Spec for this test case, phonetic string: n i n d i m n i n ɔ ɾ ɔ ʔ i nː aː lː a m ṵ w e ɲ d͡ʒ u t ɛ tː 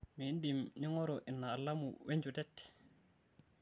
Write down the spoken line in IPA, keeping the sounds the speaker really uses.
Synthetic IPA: m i n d i m n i ŋ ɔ ɾ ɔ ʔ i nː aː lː a m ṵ w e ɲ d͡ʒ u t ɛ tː